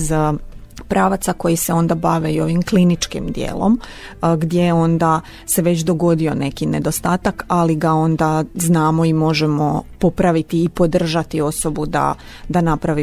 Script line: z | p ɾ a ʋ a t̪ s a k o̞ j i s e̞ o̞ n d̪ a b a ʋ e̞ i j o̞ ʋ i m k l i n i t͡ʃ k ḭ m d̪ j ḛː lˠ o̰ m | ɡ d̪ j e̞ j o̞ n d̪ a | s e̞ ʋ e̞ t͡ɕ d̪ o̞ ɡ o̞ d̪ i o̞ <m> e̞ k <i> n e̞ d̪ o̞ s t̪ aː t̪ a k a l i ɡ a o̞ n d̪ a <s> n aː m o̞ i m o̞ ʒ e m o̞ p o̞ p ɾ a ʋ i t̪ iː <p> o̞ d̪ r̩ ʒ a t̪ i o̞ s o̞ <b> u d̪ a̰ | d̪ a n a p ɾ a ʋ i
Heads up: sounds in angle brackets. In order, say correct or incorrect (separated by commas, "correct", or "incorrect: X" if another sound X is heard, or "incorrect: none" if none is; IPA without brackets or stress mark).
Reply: incorrect: n, correct, incorrect: z, correct, correct